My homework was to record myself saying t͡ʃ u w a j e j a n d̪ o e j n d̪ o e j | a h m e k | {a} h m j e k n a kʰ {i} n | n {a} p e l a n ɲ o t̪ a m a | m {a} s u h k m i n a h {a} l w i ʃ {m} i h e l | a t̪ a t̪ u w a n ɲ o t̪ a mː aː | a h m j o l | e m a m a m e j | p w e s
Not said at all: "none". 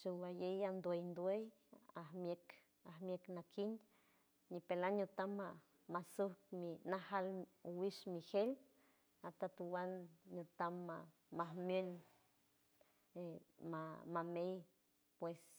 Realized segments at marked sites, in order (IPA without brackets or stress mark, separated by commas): a, i, i, a, a, m